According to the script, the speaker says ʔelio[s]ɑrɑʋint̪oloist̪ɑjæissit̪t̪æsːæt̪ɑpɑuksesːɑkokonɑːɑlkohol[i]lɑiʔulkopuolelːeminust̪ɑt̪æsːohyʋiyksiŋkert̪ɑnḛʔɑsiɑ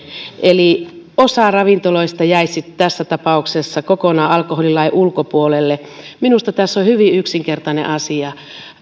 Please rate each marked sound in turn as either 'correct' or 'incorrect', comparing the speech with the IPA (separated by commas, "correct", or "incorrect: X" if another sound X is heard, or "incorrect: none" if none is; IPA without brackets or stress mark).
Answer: correct, correct